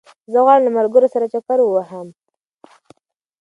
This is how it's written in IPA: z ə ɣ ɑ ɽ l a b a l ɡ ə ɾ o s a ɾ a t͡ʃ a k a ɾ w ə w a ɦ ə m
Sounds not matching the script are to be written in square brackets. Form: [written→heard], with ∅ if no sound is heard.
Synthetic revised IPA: z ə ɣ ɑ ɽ l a [b→m] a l ɡ ə ɾ o s a ɾ a t͡ʃ a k a ɾ w ə w a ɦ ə m